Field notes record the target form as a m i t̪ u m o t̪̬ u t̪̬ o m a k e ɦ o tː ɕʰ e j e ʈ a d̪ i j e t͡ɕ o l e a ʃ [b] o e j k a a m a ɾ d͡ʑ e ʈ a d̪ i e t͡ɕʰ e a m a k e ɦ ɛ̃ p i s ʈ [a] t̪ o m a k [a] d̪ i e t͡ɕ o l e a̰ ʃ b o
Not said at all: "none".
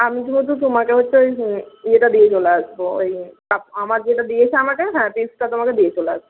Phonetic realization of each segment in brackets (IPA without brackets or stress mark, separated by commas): b, a, e